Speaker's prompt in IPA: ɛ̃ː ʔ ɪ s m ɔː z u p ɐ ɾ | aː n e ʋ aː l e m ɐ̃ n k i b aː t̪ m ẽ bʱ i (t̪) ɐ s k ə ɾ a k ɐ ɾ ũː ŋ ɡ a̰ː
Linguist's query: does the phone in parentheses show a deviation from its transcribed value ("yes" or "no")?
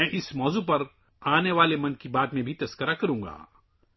no